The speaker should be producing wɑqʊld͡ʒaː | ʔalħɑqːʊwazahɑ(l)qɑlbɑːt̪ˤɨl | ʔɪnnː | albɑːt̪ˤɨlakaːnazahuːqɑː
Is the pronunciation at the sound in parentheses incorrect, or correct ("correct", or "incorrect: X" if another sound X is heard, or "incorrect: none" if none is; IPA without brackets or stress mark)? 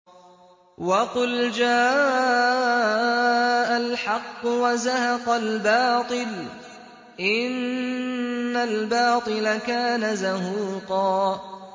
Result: incorrect: none